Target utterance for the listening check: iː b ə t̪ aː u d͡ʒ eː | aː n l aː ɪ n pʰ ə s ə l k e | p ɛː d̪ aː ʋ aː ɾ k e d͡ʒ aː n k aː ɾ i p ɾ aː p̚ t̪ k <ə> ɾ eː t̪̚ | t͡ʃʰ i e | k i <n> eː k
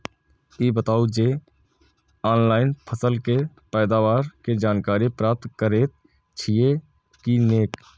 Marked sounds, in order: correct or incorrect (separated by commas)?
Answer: correct, correct